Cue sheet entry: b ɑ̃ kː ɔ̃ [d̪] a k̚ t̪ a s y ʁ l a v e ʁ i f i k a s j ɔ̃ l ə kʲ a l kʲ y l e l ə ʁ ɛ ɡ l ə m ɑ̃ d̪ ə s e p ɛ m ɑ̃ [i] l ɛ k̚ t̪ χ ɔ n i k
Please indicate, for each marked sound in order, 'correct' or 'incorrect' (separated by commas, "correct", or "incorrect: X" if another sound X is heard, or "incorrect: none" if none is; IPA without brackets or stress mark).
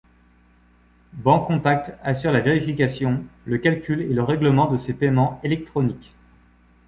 incorrect: t̪, incorrect: e